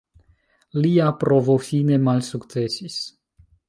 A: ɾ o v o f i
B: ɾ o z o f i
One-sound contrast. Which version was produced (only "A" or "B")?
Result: A